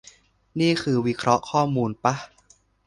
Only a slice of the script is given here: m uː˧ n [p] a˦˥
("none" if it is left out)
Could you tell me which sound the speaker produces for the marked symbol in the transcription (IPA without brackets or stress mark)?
p